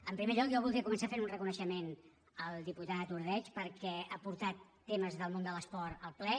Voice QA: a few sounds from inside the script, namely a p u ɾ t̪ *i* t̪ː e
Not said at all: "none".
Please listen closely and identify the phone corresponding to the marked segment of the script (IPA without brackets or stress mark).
a